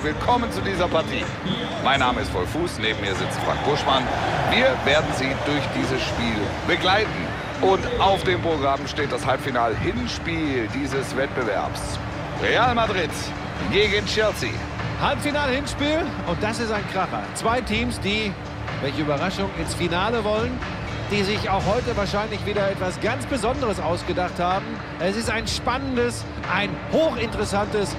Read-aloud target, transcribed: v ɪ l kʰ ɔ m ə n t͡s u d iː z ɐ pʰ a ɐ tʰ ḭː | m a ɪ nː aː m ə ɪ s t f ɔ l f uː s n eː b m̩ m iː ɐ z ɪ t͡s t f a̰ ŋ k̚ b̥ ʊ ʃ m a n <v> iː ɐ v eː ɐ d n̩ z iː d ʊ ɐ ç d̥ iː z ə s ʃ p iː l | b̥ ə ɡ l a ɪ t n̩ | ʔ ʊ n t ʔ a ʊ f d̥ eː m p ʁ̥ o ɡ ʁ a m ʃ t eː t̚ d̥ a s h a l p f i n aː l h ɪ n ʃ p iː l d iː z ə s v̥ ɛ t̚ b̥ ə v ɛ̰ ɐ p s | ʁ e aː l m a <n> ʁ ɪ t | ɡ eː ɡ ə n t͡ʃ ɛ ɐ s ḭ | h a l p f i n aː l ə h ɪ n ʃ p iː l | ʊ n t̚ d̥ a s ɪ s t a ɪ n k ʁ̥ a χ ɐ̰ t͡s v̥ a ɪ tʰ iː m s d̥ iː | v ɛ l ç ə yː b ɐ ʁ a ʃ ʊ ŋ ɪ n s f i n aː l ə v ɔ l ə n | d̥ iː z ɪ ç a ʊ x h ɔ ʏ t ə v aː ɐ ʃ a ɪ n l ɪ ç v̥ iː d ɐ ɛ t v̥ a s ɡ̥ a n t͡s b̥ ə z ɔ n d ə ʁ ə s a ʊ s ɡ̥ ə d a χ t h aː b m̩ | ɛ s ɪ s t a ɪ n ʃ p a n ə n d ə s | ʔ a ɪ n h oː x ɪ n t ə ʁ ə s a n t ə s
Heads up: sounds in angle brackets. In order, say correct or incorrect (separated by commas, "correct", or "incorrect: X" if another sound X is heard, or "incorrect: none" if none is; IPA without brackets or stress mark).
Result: correct, incorrect: d